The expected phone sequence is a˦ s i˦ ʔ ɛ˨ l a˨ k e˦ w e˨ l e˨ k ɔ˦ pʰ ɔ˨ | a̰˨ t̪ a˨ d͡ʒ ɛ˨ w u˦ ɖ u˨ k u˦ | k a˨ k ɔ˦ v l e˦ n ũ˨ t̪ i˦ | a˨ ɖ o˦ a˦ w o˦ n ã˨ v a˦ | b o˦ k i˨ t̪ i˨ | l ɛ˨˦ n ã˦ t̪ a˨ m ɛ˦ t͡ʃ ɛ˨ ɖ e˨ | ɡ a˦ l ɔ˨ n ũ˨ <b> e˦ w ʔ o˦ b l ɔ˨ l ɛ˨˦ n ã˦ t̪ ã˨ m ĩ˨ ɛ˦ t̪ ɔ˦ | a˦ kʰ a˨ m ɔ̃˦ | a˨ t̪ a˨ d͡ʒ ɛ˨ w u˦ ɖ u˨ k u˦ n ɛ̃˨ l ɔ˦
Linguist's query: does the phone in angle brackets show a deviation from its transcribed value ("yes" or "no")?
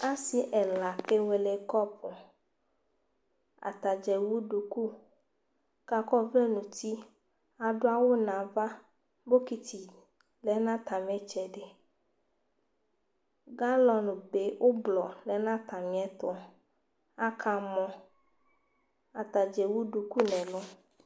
no